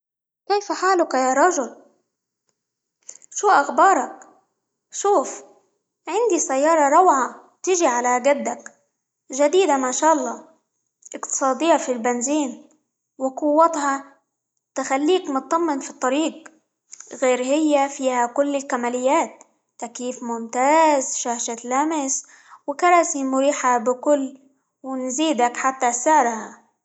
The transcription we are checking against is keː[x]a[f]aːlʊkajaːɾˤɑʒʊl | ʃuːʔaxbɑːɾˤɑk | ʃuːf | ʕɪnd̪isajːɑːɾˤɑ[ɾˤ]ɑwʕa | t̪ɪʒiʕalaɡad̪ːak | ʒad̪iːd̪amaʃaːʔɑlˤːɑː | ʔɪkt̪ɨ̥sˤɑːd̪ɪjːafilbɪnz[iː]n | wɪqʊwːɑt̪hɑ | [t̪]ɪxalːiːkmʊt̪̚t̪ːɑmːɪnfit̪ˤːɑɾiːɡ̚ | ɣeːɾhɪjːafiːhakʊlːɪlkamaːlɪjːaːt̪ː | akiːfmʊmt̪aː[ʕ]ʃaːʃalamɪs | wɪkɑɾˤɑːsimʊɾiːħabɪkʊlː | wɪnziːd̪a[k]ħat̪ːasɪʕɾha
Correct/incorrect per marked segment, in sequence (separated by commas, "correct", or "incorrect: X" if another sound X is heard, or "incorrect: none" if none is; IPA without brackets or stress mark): incorrect: f, incorrect: ħ, correct, correct, correct, incorrect: z, correct